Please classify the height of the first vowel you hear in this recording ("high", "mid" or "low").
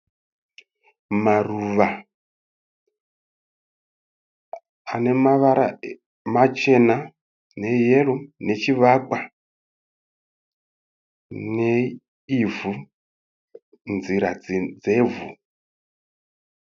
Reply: low